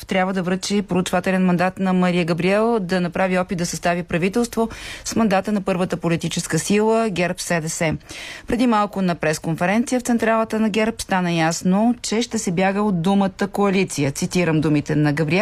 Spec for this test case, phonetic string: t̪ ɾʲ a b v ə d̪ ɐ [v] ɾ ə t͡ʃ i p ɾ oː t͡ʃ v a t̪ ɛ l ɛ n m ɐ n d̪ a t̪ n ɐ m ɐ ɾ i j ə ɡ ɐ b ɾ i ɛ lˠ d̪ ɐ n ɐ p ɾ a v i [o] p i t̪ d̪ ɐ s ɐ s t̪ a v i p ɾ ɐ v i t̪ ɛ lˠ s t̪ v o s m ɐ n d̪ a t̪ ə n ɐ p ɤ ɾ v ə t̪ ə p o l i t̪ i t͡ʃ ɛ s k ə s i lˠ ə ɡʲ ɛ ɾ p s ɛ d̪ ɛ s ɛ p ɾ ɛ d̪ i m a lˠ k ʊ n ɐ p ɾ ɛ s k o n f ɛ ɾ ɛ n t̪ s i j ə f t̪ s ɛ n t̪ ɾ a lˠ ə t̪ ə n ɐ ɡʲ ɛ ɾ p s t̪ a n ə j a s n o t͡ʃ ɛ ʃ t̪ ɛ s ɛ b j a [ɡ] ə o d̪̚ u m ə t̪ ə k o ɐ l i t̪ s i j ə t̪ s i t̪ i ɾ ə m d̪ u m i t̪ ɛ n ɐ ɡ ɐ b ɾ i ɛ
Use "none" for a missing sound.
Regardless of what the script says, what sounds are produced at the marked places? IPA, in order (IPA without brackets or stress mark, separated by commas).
v, ɔ, ɡ